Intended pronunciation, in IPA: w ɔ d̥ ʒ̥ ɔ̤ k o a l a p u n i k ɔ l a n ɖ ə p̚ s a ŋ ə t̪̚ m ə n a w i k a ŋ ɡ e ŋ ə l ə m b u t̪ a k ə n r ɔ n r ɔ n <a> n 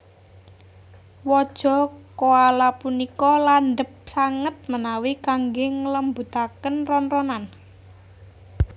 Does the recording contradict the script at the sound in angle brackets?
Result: no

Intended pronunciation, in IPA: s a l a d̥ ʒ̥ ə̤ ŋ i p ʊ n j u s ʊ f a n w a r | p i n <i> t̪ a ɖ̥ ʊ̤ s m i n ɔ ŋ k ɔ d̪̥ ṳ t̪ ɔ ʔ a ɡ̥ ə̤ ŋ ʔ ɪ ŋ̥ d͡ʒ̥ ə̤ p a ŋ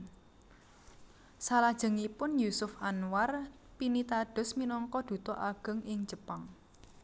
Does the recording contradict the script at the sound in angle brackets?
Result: no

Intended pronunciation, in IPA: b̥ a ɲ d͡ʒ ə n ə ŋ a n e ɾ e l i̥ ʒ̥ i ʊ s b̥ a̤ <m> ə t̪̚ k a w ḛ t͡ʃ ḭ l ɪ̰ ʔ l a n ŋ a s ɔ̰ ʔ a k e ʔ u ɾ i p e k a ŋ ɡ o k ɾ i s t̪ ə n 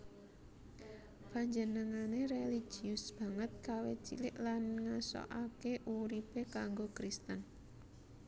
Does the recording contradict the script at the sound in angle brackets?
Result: yes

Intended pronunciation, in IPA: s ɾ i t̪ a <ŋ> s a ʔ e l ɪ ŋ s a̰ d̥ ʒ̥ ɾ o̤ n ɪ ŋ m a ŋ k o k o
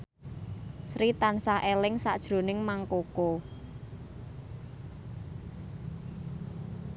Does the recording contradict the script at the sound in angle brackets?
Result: yes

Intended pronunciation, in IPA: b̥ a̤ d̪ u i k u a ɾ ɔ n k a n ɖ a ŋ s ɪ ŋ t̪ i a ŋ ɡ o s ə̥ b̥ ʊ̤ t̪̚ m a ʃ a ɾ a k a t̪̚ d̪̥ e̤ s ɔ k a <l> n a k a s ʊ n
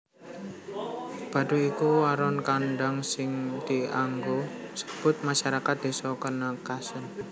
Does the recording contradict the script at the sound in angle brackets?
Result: yes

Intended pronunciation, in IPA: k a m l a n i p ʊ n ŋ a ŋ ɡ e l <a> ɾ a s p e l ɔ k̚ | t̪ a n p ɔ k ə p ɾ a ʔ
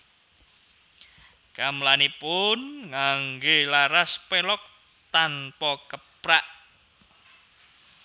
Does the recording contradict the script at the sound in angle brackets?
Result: no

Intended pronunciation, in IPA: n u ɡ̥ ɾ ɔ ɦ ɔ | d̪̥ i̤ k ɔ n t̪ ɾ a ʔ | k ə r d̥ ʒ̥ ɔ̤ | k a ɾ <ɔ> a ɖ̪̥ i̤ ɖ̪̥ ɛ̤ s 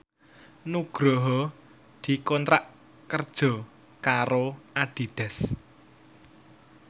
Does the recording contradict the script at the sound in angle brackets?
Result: yes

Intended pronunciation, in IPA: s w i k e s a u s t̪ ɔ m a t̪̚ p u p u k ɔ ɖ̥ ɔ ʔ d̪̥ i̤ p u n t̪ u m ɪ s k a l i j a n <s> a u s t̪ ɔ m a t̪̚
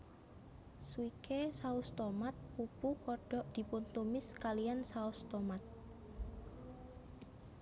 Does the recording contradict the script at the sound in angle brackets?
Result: no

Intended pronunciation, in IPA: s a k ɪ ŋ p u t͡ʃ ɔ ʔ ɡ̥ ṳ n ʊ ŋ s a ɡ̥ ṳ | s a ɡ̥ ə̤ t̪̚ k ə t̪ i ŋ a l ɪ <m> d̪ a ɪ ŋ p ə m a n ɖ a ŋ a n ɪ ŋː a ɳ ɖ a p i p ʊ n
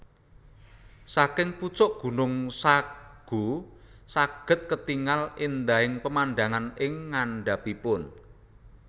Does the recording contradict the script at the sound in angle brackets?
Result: yes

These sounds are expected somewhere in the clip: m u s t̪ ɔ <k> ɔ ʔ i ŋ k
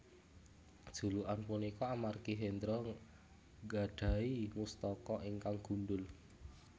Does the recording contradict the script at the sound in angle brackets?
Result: no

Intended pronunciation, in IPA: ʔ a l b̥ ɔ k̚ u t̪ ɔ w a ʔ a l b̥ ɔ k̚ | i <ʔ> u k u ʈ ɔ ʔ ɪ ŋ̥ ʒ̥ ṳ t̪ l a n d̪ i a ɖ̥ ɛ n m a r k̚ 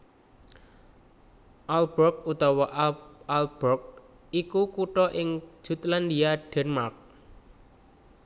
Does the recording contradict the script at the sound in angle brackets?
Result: yes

